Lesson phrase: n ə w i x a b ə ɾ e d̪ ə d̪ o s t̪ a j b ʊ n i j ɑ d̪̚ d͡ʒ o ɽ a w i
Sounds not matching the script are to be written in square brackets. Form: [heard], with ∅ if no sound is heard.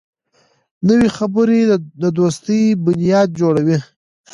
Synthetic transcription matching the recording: n ə w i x a b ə ɾ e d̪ ə d̪ o s t̪ [ə] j b ʊ n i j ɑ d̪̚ d͡ʒ o ɽ a w i